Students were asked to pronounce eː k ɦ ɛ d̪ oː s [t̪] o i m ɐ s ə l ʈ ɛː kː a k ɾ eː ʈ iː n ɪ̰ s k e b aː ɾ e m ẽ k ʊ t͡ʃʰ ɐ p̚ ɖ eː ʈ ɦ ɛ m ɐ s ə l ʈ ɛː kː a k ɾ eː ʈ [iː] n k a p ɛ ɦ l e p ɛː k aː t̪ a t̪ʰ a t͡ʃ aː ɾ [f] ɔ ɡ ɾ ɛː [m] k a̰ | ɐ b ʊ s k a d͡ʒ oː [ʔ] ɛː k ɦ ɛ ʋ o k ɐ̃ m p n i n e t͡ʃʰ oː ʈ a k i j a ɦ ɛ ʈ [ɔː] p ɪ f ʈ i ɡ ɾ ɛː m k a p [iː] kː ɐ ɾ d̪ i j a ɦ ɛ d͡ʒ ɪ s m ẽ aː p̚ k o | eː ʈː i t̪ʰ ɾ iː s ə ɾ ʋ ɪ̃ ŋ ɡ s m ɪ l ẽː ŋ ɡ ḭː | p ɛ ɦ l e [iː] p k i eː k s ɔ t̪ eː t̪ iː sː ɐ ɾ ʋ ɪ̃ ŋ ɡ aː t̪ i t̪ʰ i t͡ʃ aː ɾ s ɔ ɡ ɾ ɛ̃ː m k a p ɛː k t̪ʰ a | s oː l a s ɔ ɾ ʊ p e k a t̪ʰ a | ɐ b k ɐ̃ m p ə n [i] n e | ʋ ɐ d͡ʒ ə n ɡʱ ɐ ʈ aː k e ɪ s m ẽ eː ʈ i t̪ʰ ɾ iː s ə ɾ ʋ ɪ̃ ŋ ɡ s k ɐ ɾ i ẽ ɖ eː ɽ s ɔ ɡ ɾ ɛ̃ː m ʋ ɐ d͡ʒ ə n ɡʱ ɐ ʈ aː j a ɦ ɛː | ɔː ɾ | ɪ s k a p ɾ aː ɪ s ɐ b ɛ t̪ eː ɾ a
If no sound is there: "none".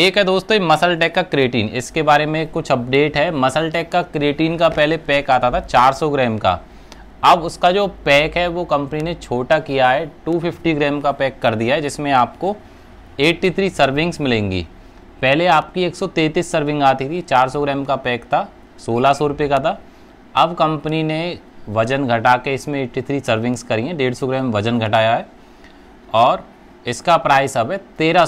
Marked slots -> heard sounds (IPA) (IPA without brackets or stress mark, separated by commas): t̪, iː, s, m, p, uː, ɛː, aː, i